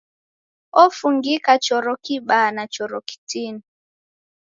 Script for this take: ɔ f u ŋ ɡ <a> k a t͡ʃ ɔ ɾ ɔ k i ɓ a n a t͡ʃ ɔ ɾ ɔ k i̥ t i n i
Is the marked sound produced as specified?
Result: no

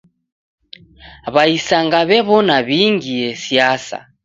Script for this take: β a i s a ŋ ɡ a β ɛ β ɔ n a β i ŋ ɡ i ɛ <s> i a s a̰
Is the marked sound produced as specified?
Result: yes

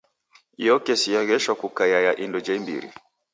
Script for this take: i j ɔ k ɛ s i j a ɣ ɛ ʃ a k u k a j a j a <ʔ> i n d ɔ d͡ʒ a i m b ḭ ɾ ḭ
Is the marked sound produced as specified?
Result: yes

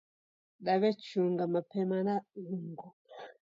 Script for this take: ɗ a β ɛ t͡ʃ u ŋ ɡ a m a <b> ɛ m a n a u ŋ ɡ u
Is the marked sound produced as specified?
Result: no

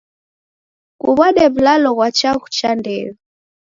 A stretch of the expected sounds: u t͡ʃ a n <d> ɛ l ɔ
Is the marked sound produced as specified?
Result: yes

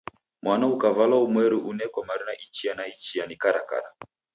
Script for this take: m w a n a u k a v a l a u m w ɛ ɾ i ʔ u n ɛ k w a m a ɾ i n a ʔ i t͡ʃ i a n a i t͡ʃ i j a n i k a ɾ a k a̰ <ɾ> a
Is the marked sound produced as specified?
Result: yes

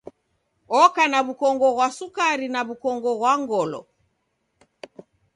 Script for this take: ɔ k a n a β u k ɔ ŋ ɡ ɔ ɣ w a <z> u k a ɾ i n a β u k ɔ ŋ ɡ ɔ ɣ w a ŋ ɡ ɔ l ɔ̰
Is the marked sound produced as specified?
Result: no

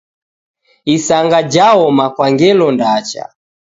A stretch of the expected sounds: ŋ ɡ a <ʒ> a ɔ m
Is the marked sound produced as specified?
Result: no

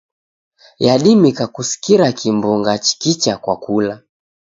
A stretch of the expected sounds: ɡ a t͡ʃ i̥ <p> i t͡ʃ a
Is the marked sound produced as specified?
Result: no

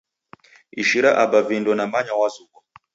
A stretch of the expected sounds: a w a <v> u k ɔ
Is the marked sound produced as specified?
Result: no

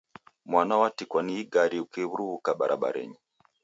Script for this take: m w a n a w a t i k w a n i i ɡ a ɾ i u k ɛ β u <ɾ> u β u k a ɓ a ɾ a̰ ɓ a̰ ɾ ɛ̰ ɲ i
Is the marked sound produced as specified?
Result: yes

